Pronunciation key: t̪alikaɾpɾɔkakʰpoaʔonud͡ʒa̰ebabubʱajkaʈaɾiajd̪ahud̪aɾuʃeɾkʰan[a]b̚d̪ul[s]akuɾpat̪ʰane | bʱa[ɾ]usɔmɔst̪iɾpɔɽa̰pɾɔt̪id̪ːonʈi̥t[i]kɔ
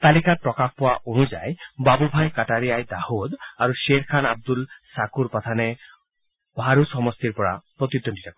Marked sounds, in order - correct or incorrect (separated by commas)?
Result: correct, correct, correct, incorrect